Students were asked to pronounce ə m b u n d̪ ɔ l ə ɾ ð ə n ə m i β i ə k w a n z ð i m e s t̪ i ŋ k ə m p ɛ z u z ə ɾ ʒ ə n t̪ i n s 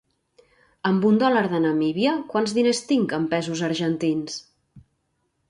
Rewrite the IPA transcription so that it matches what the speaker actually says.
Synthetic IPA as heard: ə m b u n d̪ ɔ l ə ɾ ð ə n ə m i β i ə k w a n z ð i n e s t̪ i ŋ k ə m p ɛ z u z ə ɾ ʒ ə n t̪ i n s